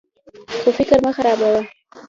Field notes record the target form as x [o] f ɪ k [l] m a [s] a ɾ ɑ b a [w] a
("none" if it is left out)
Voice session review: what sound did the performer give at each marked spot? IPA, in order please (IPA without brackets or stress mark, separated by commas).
o, ɾ, x, w